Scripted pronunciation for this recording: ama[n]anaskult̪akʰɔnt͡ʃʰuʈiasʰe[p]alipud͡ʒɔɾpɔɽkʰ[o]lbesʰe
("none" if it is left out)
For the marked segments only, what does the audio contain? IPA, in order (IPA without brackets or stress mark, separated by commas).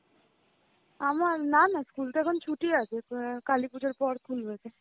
n, k, u